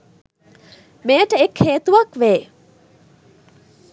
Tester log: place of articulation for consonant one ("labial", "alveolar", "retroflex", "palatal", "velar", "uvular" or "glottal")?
labial